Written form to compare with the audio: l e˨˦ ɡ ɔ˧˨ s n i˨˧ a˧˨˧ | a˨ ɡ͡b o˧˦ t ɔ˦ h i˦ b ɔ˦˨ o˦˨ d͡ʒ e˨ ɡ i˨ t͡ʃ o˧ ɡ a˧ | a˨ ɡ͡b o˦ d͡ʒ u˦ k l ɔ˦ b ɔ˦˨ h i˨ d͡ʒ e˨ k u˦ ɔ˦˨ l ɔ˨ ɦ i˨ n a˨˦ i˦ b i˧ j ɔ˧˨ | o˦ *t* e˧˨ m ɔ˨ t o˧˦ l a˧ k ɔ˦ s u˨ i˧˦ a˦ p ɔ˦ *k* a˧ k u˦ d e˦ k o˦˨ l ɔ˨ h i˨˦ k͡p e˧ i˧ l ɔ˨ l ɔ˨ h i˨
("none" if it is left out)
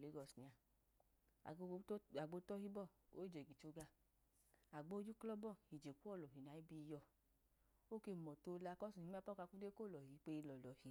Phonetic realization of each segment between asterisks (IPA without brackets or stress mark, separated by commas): k, k